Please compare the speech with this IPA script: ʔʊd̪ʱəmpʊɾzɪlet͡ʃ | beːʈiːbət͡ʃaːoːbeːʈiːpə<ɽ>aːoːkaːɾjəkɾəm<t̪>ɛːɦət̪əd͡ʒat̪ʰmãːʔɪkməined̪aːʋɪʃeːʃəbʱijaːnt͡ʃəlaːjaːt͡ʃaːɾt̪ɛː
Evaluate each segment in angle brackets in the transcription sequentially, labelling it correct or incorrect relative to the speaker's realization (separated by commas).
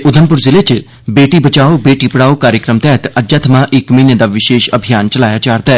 correct, correct